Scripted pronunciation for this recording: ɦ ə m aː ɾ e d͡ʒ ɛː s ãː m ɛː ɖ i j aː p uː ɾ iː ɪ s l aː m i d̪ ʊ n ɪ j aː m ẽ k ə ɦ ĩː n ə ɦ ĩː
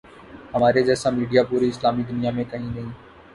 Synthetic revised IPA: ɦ ə m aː ɾ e d͡ʒ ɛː s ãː m iː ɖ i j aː p uː ɾ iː ɪ s l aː m i d̪ ʊ n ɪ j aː m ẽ k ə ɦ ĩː n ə ɦ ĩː